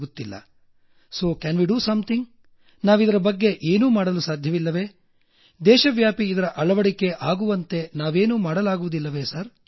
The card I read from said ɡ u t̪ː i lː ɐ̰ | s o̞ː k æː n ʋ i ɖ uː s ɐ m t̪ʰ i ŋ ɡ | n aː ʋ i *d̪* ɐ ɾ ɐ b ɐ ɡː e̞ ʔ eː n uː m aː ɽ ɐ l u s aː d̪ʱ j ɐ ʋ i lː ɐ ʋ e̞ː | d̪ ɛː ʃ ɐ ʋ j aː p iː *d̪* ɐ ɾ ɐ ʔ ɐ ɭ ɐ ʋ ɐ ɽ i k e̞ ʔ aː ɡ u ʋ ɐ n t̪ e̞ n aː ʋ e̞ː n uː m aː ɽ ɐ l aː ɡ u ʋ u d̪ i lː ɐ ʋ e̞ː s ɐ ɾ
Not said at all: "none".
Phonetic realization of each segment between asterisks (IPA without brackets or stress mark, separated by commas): d̪, d̪